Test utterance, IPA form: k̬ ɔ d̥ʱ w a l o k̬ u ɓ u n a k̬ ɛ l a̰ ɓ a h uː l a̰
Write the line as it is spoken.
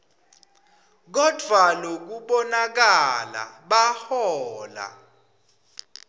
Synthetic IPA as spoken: k̬ ɔ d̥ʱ w a l o k̬ u ɓ ɔ n a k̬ a l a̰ ɓ a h ɔː l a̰